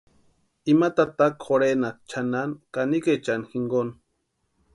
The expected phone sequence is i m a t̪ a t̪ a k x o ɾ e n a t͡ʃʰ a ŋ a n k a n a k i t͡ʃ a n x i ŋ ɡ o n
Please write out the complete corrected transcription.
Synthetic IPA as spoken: i m a t̪ a t̪ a k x o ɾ e n a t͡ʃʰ a n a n k a n i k e t͡ʃ a n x i ŋ ɡ o n